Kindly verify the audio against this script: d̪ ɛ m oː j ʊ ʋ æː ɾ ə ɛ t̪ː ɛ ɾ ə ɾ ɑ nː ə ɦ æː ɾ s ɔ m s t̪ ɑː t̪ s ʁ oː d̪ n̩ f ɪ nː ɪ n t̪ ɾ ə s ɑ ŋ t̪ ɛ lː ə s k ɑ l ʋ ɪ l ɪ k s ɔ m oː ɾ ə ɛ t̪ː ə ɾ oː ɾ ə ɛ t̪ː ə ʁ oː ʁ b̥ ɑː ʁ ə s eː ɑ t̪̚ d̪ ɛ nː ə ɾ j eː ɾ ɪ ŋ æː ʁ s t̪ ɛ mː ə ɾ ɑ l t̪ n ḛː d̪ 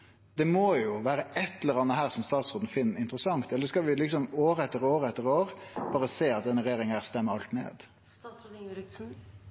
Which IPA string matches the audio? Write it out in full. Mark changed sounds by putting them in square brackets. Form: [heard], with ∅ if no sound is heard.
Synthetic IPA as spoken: d̪ ɛ m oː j ʊ ʋ æː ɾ ə ɛ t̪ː ɛ [l] ə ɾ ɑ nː ə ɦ æː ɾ s ɔ m s t̪ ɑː t̪ s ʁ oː d̪ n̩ f ɪ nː ɪ n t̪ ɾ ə s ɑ ŋ t̪ ɛ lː ə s k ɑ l ʋ ɪ l ɪ k s ɔ m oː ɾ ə ɛ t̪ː ə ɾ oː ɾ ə ɛ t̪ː ə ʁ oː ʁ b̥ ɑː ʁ ə s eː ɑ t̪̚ d̪ ɛ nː ə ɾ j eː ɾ ɪ ŋ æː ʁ s t̪ ɛ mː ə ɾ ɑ l t̪ n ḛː d̪